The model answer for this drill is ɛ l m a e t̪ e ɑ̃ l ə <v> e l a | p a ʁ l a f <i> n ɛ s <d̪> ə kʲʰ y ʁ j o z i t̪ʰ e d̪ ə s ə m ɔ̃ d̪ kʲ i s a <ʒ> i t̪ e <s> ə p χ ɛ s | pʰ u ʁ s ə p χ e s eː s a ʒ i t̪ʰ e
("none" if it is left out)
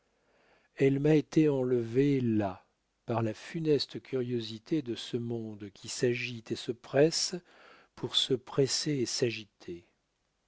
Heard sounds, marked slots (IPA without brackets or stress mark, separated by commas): v, y, t̪, ʒ, s